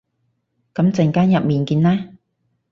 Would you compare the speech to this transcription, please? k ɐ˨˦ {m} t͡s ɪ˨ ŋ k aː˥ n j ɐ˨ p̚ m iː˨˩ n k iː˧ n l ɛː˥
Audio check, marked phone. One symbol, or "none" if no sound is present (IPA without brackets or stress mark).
m